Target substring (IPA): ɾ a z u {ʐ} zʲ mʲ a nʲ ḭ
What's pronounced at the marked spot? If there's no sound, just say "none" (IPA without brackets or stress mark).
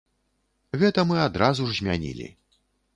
ʐ